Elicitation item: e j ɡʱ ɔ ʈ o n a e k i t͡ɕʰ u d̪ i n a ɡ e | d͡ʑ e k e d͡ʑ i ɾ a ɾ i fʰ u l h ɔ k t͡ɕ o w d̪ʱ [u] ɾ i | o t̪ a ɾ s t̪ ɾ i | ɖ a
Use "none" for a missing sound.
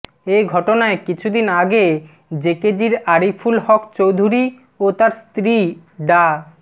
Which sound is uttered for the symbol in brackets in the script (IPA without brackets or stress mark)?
u